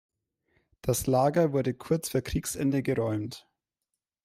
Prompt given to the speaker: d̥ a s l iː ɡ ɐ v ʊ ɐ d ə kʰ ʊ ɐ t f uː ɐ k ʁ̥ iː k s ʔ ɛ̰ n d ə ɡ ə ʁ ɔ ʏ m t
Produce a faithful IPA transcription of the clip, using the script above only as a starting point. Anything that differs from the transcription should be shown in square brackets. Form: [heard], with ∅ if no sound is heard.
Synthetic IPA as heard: d̥ a s l [aː] ɡ ɐ v ʊ ɐ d ə kʰ ʊ ɐ [t͡s] f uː ɐ k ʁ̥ iː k s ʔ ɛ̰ n d ə ɡ ə ʁ ɔ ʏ m t